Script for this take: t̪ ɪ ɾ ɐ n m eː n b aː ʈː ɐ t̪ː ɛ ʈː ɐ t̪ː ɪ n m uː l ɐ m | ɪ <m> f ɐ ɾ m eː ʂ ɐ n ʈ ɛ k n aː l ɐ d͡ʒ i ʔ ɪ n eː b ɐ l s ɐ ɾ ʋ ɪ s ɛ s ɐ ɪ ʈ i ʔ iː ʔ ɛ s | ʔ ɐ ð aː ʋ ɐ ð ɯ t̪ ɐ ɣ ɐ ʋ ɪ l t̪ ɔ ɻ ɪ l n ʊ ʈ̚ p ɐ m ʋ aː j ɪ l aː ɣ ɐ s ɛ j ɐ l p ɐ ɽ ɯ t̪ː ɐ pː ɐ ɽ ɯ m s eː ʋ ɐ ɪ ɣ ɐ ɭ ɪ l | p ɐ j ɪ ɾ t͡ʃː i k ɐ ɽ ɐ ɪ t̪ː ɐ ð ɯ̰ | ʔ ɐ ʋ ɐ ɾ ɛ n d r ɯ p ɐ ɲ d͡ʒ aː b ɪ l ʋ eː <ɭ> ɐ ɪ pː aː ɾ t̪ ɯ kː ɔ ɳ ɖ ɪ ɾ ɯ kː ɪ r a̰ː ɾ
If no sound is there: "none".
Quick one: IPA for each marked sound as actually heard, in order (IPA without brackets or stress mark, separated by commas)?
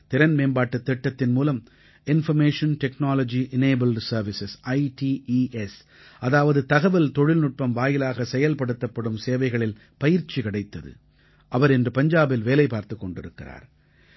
n, l